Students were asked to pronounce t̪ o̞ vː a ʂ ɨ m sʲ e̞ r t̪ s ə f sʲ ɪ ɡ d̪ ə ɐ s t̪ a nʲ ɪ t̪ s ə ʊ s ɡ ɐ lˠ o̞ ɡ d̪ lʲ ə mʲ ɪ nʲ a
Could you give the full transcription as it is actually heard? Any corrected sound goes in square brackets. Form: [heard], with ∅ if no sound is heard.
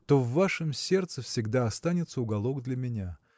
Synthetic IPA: t̪ o̞ vː a ʂ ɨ m sʲ e̞ r t̪ s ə f sʲ ɪ ɡ d̪ [a] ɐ s t̪ a nʲ ɪ t̪ s ə ʊ [∅] ɡ ɐ lˠ o̞ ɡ d̪ lʲ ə mʲ ɪ nʲ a